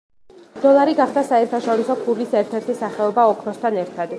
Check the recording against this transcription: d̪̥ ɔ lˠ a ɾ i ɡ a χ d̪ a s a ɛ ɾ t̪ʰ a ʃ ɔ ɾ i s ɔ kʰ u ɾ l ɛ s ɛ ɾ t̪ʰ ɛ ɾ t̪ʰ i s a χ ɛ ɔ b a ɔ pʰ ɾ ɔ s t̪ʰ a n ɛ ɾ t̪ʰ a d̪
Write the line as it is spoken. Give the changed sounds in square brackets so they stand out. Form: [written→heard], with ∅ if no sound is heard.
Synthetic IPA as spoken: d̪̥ ɔ lˠ a ɾ i ɡ a χ d̪ a s a ɛ ɾ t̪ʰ a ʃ ɔ ɾ i s ɔ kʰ u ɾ l [ɛ→i] s ɛ ɾ t̪ʰ ɛ ɾ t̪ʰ i s a χ ɛ ɔ b a ɔ [pʰ→kʰ] ɾ ɔ s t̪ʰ a n ɛ ɾ t̪ʰ a d̪